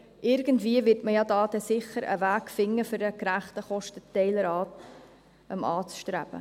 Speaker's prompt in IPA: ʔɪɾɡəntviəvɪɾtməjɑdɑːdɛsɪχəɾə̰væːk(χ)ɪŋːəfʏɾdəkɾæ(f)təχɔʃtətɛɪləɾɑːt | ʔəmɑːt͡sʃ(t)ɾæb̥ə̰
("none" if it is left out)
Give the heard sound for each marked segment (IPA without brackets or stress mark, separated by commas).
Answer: f, χ, t